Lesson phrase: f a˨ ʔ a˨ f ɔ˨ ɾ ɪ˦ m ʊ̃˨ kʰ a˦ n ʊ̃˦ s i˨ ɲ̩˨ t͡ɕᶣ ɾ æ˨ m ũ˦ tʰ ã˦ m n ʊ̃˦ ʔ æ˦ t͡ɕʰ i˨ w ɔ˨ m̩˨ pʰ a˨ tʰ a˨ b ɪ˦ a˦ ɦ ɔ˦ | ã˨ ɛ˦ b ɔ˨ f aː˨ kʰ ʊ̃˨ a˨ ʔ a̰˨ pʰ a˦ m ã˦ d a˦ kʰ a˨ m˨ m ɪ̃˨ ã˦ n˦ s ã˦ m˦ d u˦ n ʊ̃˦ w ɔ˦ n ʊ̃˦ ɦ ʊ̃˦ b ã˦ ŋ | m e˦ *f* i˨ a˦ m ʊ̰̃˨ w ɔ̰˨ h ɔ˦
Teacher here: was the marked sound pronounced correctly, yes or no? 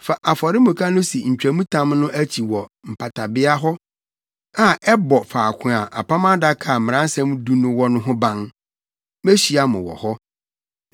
no